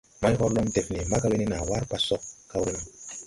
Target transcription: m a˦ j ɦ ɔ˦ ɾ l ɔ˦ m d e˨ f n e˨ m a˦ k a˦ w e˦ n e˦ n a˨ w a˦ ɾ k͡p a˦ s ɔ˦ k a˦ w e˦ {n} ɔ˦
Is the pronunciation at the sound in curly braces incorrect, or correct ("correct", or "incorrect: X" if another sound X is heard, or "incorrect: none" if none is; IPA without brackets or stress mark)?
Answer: correct